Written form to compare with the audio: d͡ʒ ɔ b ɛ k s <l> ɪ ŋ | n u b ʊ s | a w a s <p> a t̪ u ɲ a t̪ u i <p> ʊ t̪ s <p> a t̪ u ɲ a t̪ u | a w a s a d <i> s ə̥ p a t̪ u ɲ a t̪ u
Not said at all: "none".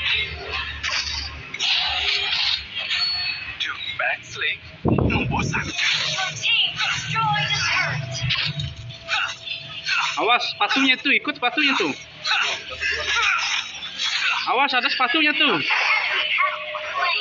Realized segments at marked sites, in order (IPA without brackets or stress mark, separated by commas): l, p, k, p, a